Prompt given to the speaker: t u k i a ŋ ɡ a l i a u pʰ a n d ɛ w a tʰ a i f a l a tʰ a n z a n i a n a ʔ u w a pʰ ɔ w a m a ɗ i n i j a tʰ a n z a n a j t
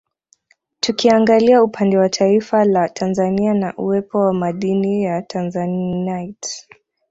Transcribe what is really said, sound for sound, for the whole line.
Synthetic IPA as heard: t u k i a ŋ ɡ a l i a u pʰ a n d ɛ w a tʰ a i f a l a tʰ a n z a n i a n a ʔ u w ɛ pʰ ɔ w a m a ɗ i n i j a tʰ a n z a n a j t